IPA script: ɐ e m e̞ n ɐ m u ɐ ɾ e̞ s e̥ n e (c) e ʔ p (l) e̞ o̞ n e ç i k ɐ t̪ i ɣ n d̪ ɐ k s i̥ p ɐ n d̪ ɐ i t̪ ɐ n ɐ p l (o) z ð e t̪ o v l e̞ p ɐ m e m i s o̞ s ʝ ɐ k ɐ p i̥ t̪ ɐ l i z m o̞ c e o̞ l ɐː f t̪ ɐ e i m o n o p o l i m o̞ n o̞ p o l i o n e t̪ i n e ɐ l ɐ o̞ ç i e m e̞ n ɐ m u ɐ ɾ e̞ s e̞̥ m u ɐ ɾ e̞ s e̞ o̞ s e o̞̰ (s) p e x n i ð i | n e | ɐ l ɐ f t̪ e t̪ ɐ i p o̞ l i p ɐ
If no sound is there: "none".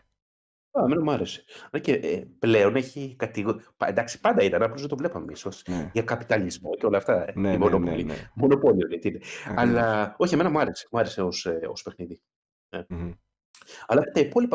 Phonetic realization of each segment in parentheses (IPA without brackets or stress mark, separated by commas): c, l, o, s